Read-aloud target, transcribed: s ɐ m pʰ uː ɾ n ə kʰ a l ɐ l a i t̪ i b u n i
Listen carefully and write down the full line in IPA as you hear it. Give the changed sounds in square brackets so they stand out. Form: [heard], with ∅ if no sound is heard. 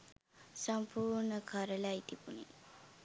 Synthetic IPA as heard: s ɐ m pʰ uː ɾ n ə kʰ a [ɾ] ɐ l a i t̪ i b u n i